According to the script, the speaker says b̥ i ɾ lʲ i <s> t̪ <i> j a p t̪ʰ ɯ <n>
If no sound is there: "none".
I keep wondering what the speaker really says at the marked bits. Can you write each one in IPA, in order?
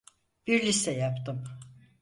s, ɛ, m

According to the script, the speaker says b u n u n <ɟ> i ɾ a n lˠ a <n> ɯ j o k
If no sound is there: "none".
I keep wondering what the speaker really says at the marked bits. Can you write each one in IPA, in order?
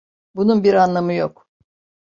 b, m

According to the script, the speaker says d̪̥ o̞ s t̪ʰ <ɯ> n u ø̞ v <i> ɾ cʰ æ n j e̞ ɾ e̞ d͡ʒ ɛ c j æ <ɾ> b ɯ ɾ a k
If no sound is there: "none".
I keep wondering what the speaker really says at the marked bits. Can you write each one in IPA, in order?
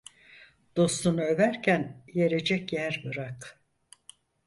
u, æ, ɾ

